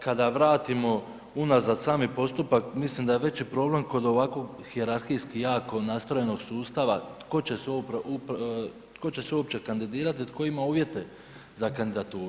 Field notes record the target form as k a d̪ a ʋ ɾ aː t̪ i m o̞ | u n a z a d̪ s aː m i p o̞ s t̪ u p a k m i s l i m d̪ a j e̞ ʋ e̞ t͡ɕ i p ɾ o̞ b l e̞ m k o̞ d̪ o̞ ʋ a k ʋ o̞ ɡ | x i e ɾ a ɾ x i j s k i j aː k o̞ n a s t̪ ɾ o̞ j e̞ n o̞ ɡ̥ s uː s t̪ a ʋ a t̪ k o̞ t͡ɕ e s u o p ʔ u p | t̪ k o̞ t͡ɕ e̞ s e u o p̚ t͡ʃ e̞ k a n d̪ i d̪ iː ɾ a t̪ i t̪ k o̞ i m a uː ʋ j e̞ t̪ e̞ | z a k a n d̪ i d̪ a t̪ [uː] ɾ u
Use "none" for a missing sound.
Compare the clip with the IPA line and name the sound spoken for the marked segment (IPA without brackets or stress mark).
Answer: uː